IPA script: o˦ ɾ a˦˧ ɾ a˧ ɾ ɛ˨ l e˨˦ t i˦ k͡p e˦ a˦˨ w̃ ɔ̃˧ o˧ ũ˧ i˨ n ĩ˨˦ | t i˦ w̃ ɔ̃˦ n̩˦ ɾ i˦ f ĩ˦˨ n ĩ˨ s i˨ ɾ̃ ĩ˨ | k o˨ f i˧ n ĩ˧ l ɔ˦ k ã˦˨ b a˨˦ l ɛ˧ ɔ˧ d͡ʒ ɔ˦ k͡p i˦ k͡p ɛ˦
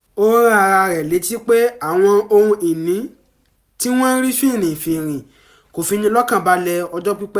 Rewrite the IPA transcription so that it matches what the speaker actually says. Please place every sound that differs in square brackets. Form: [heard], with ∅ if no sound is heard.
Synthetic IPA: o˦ ɾ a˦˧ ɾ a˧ ɾ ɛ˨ l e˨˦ t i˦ k͡p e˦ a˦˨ w̃ ɔ̃˧ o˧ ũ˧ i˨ n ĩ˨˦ | t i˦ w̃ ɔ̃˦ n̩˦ ɾ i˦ f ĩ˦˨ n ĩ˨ [f] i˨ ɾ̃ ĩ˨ | k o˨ f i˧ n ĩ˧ l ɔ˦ k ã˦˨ b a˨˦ l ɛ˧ ɔ˧ d͡ʒ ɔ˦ k͡p i˦ k͡p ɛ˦